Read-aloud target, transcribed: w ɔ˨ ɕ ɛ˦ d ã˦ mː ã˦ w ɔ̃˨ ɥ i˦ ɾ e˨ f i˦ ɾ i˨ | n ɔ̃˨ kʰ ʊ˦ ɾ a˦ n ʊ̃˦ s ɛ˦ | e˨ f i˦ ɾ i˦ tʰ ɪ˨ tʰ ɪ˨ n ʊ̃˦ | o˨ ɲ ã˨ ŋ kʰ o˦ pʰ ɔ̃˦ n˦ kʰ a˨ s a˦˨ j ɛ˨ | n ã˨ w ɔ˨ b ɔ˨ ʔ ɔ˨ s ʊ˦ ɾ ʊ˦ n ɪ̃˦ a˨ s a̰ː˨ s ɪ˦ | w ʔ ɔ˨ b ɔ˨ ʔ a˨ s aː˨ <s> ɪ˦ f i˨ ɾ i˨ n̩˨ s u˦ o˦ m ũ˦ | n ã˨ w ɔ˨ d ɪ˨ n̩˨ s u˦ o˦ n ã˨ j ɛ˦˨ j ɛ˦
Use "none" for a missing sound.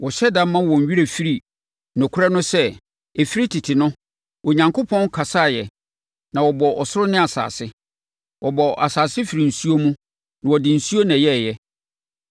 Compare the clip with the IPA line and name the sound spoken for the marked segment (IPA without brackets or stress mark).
s